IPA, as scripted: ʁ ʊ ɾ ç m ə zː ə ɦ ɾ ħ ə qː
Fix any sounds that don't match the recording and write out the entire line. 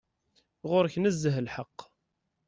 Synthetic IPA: ʁ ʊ ɾ ç n ə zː ə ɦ l ħ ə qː